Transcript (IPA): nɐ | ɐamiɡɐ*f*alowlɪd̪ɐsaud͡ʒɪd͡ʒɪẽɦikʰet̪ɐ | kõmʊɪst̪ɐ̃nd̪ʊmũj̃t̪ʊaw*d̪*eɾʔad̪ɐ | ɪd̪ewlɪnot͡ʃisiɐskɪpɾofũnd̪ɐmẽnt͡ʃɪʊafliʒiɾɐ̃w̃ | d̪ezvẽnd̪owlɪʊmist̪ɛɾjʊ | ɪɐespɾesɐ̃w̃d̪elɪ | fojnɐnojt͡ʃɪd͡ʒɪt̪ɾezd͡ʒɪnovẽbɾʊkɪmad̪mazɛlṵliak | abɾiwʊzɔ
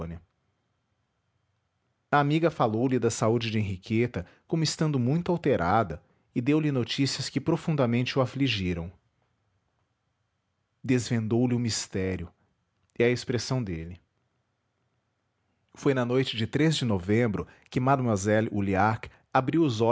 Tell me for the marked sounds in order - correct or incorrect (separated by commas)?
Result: correct, incorrect